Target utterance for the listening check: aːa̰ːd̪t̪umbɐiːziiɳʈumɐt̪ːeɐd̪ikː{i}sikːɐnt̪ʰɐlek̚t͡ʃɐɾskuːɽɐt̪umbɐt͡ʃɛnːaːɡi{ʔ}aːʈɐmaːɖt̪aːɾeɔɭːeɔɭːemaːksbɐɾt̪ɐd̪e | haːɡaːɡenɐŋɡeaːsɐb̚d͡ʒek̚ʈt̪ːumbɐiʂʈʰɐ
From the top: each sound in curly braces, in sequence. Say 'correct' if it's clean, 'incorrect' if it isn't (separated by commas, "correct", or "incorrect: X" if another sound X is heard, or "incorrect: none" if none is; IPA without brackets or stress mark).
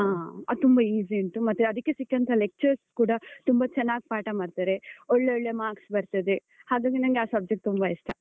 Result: incorrect: e, incorrect: p